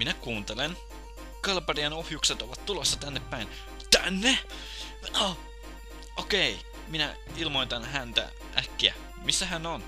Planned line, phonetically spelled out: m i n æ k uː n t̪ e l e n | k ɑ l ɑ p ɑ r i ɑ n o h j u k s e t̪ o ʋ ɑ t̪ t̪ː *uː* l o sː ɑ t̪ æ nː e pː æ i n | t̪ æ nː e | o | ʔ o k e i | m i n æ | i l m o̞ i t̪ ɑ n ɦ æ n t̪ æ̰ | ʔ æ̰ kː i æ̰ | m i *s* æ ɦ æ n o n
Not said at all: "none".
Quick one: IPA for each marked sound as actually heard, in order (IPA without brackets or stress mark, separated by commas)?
u, sː